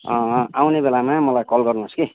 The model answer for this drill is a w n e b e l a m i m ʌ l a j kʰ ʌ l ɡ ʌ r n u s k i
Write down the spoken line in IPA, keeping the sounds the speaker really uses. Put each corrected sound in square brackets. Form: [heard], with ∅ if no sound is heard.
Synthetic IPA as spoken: a w n e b e l a m [a] m ʌ l a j [k] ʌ l ɡ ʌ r n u s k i

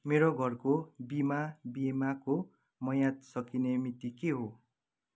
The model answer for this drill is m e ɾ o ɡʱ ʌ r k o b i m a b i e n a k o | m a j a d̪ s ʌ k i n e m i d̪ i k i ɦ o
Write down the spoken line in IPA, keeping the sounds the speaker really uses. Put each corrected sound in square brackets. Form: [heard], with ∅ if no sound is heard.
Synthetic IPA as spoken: m e ɾ o ɡʱ ʌ r k o b i m a b i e [m] a k o | m [ʌ] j a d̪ s ʌ k i n e m i [t̪] i k [e] ɦ o

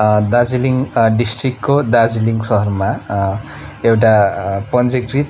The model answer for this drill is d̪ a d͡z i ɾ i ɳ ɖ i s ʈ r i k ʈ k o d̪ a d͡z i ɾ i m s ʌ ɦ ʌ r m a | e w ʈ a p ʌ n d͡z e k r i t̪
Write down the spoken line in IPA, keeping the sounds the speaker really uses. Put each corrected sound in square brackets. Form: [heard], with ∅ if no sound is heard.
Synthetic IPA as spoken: d̪ a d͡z i [l] i [ŋ] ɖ i s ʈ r i k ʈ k o d̪ a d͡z i [l] i [ŋ] s ʌ ɦ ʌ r m a | e w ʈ a p ʌ n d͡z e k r i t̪

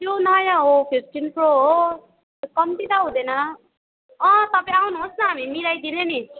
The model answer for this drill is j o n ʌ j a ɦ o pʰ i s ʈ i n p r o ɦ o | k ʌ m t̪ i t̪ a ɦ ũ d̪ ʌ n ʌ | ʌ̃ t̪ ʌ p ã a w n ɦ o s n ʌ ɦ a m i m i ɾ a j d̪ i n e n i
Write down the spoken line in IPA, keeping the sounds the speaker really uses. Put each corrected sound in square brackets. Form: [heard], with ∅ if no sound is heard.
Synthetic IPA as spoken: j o n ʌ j a ɦ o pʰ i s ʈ i n p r o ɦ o | k ʌ m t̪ i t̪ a ɦ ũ d̪ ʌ n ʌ | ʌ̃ t̪ ʌ p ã a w n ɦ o s n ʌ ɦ a m i m i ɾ a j d̪ i n e n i

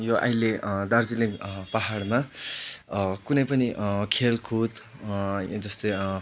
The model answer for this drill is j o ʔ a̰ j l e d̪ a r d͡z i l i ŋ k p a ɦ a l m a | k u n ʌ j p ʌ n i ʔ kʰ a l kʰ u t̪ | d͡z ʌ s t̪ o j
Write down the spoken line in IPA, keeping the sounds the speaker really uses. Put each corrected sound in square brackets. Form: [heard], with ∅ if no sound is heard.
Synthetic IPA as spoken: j o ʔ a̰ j l e d̪ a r d͡z i l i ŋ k p a ɦ a [ɽ] m a | k u n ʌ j p ʌ n i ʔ kʰ [e] l kʰ u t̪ | d͡z ʌ s t̪ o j

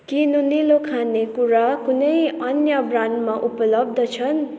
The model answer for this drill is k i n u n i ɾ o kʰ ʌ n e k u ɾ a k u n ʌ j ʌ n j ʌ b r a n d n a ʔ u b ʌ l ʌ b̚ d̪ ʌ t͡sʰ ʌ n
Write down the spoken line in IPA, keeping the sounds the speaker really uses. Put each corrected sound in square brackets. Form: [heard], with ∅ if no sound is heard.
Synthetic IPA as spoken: k i n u n i [l] o kʰ [a] n e k u ɾ a k u n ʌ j ʌ n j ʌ b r a n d [m] a ʔ u [p] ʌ l ʌ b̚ d̪ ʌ t͡sʰ ʌ n

